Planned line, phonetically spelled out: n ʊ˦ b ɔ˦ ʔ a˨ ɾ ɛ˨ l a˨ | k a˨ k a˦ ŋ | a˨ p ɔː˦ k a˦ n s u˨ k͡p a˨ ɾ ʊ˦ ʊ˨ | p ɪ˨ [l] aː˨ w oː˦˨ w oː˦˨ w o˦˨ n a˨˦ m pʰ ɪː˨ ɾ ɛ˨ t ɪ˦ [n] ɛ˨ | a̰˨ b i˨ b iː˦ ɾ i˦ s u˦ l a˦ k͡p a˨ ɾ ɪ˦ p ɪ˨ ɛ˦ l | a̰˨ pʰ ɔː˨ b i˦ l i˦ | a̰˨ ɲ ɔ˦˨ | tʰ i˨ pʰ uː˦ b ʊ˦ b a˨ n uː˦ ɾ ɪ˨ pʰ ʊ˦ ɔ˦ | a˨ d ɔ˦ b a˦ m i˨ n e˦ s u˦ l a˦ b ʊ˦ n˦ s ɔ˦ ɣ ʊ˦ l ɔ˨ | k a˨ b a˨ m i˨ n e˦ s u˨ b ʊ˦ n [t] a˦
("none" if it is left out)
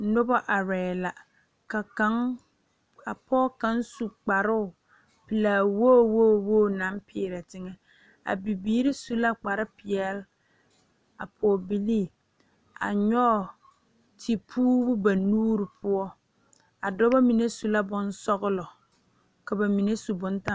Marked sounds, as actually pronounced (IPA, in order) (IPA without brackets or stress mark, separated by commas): l, ŋ, t